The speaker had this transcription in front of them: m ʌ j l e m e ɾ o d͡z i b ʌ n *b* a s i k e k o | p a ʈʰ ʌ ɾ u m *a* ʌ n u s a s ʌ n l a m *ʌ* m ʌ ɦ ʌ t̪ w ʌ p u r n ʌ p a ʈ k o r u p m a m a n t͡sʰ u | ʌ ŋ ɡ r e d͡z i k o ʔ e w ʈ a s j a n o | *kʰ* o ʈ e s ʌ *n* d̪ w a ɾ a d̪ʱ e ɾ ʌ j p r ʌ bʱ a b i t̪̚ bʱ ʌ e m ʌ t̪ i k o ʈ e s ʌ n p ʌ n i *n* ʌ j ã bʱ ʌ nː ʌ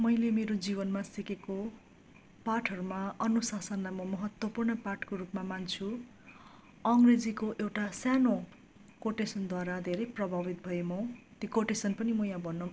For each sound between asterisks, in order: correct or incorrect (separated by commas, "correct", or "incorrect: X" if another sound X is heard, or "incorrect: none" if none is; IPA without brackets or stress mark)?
incorrect: m, correct, correct, incorrect: k, correct, incorrect: m